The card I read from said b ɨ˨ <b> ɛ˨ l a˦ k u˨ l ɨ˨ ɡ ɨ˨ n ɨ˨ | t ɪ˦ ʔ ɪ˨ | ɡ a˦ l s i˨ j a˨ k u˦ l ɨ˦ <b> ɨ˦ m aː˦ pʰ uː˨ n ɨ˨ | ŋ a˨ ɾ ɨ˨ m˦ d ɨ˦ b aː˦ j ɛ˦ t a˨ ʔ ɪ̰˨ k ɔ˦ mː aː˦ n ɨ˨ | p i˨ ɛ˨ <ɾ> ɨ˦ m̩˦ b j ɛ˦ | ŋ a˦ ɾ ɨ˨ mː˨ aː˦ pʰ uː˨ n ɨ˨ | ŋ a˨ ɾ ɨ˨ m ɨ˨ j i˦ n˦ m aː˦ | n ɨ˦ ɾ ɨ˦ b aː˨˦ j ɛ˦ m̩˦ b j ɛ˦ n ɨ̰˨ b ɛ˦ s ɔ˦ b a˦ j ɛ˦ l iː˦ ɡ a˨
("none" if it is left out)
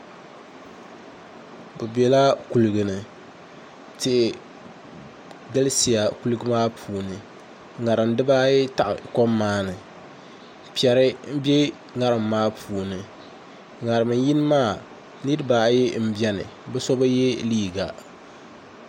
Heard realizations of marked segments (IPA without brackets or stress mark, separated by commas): b, ɡ, ɾ